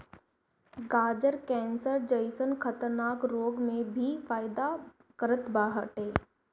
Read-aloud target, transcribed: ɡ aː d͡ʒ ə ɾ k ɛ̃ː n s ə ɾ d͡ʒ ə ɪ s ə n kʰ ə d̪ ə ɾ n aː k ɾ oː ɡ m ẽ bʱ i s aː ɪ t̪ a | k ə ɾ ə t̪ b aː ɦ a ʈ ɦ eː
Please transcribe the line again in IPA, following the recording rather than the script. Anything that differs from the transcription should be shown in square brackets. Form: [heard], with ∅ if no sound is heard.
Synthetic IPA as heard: ɡ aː d͡ʒ ə ɾ k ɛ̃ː n s ə ɾ d͡ʒ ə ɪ s ə n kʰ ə [t̪] ə ɾ n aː k ɾ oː ɡ m ẽ bʱ i [f] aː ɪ [d̪] a | k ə ɾ ə t̪ b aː ɦ [ə] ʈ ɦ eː

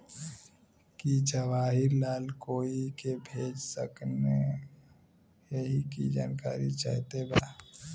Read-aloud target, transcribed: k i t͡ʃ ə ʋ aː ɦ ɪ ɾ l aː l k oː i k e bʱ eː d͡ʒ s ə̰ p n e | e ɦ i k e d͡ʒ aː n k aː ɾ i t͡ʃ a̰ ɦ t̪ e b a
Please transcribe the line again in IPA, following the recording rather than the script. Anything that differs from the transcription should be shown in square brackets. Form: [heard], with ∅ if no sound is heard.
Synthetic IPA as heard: k i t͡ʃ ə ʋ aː ɦ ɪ ɾ l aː l k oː i k e bʱ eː d͡ʒ s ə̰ [k] n e | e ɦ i k [i] d͡ʒ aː n k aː ɾ i t͡ʃ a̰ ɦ t̪ e b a

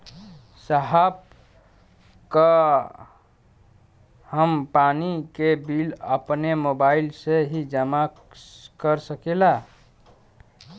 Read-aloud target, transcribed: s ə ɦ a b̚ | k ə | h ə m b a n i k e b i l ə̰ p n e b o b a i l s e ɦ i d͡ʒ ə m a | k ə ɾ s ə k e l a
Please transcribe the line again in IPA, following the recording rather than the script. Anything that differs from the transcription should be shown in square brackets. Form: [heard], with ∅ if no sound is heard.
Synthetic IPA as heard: s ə ɦ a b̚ | k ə | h ə m [p] a n i k e b i l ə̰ p n e [m] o b a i l s e ɦ i d͡ʒ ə m a | k ə ɾ s ə k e l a

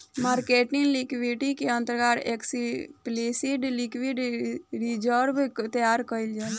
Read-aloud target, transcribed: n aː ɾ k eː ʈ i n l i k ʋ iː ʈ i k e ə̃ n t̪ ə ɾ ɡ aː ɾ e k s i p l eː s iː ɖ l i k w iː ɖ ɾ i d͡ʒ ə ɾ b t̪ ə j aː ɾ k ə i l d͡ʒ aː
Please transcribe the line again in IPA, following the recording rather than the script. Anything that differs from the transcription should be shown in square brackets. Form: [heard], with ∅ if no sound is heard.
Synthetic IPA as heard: [m] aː ɾ k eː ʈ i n l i k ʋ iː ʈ i k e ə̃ n t̪ ə ɾ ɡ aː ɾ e k s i p l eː s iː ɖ l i k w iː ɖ ɾ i d͡ʒ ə ɾ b t̪ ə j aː ɾ k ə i l d͡ʒ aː

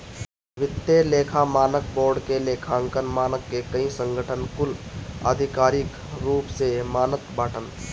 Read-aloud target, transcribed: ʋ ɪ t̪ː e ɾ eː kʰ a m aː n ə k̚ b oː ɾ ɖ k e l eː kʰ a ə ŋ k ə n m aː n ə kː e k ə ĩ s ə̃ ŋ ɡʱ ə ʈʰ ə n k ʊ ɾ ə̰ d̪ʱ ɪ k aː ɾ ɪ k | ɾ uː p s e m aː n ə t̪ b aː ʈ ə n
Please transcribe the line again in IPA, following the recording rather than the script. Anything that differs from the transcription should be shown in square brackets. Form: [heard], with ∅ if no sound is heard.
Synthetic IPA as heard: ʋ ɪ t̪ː e [l] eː kʰ a m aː n ə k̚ b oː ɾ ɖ k e l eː kʰ a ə ŋ k ə n m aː n ə kː e k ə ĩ s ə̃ ŋ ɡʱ ə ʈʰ ə n k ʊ [l] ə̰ d̪ʱ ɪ k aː ɾ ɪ k | ɾ uː p s e m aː n ə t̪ b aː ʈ ə n

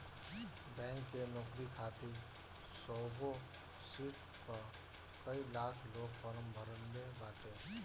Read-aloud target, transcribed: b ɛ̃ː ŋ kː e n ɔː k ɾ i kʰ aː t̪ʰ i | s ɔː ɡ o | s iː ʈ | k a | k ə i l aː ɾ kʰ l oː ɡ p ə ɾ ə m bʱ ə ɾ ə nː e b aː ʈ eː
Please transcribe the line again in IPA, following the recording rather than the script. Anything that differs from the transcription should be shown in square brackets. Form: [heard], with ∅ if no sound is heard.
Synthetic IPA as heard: b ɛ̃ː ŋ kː e n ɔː k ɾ i kʰ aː [t̪] i | s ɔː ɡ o | s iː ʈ | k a | k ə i l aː [∅] kʰ l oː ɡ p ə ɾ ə m bʱ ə ɾ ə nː e b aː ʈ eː

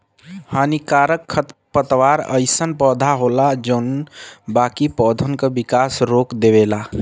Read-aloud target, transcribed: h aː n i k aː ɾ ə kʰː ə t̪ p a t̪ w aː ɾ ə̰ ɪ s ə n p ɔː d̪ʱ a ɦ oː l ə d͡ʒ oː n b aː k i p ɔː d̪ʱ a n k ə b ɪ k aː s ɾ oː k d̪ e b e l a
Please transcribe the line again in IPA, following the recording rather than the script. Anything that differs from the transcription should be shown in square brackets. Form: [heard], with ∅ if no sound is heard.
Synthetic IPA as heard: h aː n i k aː ɾ ə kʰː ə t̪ p [ə] t̪ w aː ɾ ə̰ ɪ s ə n p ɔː d̪ʱ a ɦ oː l [a] d͡ʒ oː n b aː k i p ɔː d̪ʱ [ə] n k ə b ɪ k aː s ɾ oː k d̪ e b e l a

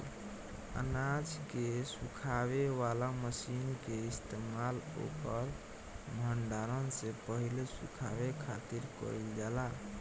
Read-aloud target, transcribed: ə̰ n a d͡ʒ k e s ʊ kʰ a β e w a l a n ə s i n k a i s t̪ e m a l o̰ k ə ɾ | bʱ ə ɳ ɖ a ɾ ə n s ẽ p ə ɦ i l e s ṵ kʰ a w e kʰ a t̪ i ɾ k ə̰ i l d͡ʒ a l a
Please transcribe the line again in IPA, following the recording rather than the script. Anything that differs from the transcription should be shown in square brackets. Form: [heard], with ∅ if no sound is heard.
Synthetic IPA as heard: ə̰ n a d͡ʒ k e s [u] kʰ a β e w a l a [m] ə s i n k [e] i s t̪ e m a l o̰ k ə ɾ | bʱ ə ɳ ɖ a ɾ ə n s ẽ p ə ɦ i l e s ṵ kʰ a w e kʰ a t̪ i ɾ k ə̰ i l d͡ʒ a l a

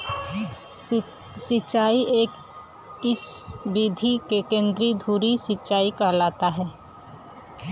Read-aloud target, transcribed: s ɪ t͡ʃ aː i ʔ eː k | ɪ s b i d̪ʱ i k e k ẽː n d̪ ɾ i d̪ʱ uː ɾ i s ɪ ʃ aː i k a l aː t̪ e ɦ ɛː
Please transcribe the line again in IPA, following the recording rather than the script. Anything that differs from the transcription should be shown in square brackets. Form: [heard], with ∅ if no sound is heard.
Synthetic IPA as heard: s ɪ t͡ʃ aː i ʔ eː k | ɪ s b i d̪ʱ i k e k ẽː n d̪ ɾ i d̪ʱ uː ɾ i s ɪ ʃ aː i k a l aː t̪ [a] ɦ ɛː

